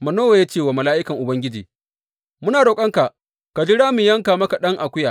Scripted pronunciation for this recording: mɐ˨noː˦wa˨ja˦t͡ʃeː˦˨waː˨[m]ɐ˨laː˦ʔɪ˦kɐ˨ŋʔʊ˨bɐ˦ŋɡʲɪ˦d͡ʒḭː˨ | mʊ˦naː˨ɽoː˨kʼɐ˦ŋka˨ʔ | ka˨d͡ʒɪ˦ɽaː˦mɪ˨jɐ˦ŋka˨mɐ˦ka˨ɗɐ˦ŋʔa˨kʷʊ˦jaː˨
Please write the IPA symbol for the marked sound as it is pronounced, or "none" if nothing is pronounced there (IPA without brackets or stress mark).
m